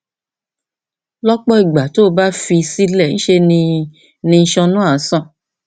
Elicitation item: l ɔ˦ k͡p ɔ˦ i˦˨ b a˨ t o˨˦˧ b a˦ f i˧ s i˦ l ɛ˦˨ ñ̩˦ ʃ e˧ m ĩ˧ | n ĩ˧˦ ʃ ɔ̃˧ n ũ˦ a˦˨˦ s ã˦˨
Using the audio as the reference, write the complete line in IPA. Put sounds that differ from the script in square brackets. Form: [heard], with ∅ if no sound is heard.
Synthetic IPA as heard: l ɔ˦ k͡p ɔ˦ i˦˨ [ɡ͡b] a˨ t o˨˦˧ b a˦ f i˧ s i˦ l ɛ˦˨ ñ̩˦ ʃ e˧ [n] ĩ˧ | n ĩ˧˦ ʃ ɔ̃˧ n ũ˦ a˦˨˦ s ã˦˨